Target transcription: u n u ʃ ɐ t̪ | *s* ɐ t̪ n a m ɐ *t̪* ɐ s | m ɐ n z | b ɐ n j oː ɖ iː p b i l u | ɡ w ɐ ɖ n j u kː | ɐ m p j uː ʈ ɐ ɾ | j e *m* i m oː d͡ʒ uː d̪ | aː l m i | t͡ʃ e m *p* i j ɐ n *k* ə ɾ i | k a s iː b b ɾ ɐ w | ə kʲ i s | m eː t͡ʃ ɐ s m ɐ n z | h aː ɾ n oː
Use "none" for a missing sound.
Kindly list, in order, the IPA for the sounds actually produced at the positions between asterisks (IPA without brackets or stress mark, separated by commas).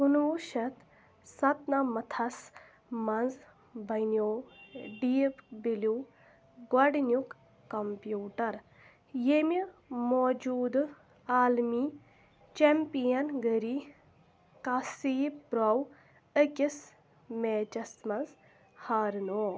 s, t̪ʰ, m, p, ɡ